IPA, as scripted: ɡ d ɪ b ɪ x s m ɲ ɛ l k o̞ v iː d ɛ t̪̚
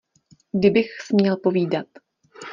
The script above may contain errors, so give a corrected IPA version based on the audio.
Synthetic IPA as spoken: ɡ d ɪ b ɪ x s m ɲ ɛ l p o̞ v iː d a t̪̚